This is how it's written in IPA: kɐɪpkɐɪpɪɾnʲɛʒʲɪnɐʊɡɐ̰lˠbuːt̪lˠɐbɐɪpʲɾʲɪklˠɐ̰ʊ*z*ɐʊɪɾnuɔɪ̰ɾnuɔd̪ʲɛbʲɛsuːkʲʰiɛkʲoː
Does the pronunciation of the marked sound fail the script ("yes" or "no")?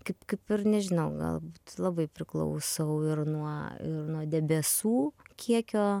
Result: yes